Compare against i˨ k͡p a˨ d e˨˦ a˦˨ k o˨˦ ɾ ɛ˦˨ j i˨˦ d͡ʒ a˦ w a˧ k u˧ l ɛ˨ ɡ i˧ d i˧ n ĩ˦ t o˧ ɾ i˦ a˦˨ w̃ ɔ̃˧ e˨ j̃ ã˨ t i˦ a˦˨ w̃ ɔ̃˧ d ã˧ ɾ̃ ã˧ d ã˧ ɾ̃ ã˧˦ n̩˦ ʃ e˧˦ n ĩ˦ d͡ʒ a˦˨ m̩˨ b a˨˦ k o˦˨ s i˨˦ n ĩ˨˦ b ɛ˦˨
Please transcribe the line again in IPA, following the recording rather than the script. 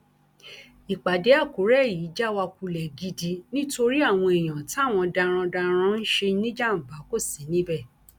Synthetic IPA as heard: i˨ k͡p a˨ d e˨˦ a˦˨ k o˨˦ ɾ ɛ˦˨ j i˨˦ d͡ʒ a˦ w a˧ k u˧ l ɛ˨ ɡ i˧ d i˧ n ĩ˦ t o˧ ɾ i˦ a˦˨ w̃ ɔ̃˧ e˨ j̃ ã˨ t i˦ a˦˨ w̃ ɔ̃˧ d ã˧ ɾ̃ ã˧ d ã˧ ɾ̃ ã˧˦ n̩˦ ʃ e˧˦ n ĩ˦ d͡ʒ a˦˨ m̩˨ b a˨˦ k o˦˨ s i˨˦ n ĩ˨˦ b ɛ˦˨